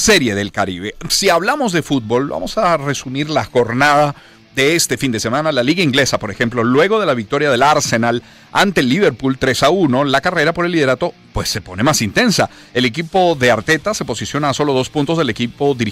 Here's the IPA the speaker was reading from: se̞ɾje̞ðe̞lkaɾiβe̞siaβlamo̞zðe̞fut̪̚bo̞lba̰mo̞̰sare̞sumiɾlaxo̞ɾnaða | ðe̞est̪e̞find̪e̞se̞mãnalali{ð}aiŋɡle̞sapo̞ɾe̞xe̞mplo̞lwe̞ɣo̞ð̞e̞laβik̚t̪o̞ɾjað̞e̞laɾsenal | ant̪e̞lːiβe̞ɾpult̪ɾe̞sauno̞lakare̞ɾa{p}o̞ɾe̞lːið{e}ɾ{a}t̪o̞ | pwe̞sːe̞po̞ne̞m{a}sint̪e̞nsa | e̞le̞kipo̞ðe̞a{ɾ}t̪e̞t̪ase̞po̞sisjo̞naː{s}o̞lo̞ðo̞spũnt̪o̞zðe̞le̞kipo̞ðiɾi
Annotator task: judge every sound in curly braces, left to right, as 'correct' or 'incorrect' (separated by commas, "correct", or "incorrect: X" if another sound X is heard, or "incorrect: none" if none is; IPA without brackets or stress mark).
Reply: incorrect: ɣ, correct, correct, correct, correct, correct, correct